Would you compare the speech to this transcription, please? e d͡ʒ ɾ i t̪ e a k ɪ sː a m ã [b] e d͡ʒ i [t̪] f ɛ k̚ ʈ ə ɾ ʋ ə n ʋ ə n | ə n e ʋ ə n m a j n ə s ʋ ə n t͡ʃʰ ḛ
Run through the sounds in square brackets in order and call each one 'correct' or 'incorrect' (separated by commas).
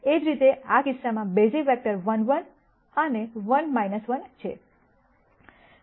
correct, incorrect